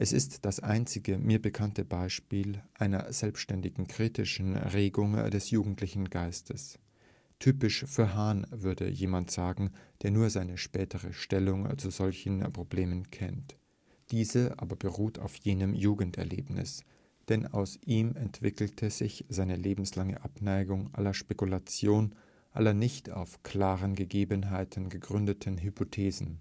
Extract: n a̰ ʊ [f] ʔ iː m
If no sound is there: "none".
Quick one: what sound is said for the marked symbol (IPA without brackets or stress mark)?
s